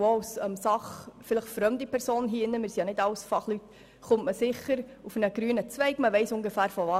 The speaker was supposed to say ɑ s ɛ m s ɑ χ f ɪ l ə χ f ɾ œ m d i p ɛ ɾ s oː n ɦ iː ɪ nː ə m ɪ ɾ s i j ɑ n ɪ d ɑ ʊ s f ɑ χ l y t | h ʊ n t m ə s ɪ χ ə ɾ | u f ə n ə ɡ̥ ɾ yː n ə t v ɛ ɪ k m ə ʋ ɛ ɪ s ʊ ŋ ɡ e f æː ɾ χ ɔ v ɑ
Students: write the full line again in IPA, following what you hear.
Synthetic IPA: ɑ s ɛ m s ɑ χ f ɪ l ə χ f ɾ œ m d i p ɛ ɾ s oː n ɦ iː ɪ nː ə m ɪ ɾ s i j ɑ n ɪ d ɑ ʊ s f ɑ χ l y t | χ ʊ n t m ə s ɪ χ ə ɾ | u f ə n ə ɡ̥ ɾ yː n ə t͡s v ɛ ɪ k m ə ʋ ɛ ɪ s ʊ ŋ ɡ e f æː ɾ f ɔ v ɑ